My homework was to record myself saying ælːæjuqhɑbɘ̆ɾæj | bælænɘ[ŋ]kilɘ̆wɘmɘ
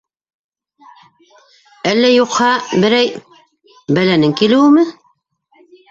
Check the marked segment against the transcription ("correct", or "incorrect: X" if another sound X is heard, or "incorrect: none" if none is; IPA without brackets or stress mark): correct